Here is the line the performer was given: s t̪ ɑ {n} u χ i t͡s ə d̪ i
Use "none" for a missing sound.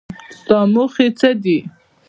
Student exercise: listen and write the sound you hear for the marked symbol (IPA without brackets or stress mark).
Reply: m